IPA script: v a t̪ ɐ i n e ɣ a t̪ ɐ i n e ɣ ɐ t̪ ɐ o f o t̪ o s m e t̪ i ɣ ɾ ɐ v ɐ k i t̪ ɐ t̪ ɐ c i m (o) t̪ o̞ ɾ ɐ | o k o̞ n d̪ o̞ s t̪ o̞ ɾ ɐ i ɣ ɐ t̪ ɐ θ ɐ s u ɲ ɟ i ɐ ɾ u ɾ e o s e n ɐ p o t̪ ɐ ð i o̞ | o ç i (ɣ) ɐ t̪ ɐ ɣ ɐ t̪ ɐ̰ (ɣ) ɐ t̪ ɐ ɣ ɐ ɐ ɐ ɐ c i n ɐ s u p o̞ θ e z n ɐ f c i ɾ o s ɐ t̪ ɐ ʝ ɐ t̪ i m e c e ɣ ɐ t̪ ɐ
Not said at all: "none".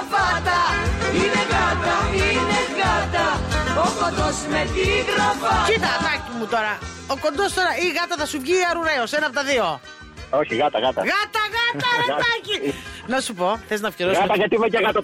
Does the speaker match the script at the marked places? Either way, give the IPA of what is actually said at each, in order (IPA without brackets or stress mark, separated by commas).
u, ɣ, ɣ